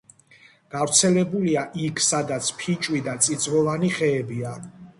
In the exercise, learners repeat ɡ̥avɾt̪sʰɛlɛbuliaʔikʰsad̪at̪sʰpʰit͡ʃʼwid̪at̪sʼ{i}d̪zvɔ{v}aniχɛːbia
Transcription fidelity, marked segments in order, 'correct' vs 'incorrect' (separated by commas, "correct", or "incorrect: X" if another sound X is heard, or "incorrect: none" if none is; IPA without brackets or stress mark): correct, correct